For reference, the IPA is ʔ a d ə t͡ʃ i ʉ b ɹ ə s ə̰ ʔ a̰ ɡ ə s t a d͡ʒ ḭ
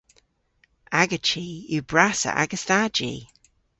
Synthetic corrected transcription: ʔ a ɡ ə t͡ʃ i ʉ b ɹ a s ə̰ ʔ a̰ ɡ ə s t a d͡ʒ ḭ